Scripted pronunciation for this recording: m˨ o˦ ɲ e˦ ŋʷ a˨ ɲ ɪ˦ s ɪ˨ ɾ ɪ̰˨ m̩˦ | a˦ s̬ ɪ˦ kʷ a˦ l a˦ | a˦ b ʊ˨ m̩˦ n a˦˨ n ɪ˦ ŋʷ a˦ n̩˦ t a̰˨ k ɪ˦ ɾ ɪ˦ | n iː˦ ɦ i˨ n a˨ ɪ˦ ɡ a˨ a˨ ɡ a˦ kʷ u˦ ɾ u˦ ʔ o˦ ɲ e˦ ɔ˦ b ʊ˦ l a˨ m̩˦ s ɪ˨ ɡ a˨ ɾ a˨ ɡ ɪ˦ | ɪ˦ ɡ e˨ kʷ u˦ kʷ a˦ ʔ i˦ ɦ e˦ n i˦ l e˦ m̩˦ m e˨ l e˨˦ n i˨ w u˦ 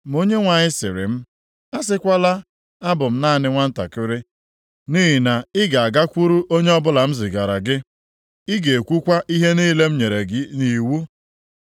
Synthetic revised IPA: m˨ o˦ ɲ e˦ ŋʷ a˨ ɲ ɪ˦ s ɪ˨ ɾ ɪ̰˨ m̩˦ | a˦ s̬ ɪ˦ kʷ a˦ l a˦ | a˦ b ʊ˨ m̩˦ n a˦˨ n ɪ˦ ŋʷ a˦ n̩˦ t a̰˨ k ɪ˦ ɾ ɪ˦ | n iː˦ ɦ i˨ n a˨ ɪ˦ ɡ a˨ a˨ ɡ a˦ kʷ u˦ ɾ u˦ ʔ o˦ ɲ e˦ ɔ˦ b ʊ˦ l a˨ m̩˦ z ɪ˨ ɡ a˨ ɾ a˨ ɡ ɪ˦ | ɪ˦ ɡ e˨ kʷ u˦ kʷ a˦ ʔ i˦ ɦ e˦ n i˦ l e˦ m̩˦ ɲ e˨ ɾ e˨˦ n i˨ w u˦